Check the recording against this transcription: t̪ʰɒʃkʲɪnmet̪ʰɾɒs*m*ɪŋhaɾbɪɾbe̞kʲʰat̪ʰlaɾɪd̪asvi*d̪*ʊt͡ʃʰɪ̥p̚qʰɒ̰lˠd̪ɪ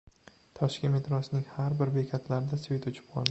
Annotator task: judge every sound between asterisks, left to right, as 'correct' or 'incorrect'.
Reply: incorrect: n, incorrect: t̪

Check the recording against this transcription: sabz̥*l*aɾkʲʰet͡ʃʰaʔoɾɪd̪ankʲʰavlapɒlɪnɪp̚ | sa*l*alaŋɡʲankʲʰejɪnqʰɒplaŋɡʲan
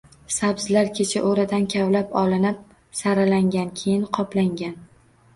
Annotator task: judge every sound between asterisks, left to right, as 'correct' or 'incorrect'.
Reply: correct, incorrect: ɾ

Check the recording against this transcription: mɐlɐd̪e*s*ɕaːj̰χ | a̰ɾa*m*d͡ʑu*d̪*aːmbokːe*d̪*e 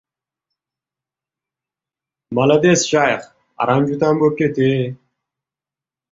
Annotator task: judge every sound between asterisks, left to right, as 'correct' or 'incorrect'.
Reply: correct, correct, incorrect: t̪, incorrect: t̪

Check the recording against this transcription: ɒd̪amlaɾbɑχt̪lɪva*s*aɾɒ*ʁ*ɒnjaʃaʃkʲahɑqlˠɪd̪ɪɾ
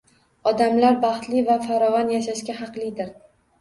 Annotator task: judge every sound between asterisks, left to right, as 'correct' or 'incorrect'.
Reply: incorrect: f, incorrect: v

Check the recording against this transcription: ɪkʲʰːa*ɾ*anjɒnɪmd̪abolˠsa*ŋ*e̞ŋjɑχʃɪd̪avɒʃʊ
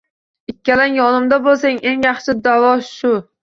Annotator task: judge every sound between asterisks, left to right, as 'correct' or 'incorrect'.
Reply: incorrect: l, correct

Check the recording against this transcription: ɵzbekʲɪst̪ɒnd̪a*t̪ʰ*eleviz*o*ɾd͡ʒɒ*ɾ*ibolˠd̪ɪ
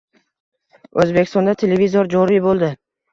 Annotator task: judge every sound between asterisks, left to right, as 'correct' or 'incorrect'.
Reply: correct, correct, correct

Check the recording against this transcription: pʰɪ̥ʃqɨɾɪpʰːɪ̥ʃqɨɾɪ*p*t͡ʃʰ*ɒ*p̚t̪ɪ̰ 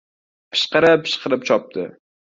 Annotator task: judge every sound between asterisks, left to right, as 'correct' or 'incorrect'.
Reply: correct, correct

